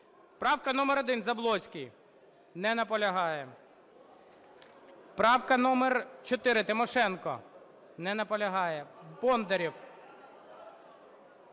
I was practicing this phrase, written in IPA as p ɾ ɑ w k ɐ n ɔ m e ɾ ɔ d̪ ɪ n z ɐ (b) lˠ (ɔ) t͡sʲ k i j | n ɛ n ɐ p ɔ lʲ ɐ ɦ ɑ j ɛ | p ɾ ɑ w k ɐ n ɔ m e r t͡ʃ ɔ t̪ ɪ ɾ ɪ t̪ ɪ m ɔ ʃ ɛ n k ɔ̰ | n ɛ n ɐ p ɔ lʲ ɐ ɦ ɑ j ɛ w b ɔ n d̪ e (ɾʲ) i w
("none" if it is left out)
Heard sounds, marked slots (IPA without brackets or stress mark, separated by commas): b, ɔ, ɾʲ